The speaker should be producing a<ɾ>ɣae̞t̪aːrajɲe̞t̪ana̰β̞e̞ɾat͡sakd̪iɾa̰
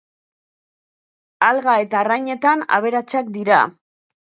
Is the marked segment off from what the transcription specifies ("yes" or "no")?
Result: yes